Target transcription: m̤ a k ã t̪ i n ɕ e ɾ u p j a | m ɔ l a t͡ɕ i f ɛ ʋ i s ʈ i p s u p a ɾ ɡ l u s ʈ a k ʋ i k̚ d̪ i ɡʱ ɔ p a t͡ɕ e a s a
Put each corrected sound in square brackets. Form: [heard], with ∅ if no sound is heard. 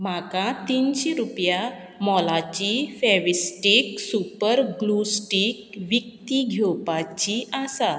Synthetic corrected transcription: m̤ a k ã t̪ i n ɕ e ɾ u p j a | m ɔ l a t͡ɕ i f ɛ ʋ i s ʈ i [k] s u p [ə] ɾ ɡ l u s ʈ [i] k ʋ i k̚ [t̪] i ɡʱ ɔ p a t͡ɕ [i] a s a